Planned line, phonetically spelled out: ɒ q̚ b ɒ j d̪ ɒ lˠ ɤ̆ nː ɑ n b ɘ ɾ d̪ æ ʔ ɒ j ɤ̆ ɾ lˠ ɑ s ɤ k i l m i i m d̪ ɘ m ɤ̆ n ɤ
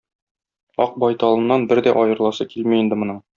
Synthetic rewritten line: ɒ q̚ b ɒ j t̪ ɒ lˠ ɤ̆ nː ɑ n b ɘ ɾ d̪ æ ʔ ɒ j ɤ̆ ɾ lˠ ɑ s ɤ k i l m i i n d̪ ɘ m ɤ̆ n ɤ